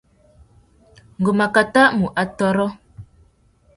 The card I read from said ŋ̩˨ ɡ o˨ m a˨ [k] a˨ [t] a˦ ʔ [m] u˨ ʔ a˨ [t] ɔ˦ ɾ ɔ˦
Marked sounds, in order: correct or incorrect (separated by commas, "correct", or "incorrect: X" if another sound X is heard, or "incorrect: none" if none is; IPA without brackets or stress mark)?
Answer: correct, correct, correct, correct